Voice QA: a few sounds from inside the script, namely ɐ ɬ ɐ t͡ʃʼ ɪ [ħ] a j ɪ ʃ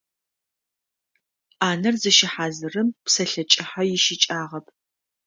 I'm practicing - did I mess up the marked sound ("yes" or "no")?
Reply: no